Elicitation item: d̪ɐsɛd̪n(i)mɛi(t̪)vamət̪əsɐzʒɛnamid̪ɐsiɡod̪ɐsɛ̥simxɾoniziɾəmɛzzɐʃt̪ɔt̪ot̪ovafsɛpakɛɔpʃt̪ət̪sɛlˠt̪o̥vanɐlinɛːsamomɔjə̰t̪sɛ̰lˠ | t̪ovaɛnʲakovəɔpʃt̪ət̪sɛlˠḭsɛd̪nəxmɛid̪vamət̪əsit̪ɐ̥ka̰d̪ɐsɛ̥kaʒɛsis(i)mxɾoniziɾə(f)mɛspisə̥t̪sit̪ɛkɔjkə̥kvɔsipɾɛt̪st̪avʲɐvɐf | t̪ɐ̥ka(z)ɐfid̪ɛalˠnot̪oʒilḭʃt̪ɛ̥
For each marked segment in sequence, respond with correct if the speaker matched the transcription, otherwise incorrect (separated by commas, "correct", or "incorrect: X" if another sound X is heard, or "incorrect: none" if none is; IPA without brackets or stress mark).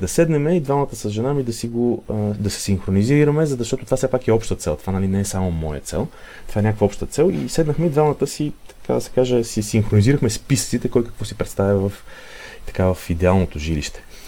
incorrect: ɛ, incorrect: d̪, correct, incorrect: x, incorrect: v